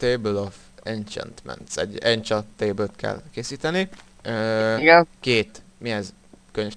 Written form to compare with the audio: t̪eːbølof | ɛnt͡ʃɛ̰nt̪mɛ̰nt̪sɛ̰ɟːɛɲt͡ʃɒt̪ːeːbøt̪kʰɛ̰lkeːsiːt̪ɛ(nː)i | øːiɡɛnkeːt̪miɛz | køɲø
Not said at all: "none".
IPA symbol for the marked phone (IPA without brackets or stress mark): n